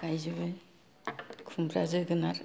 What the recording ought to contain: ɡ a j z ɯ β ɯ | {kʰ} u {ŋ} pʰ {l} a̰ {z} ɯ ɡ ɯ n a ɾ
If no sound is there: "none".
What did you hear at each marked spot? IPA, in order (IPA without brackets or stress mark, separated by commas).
kʰ, m, ɾ, z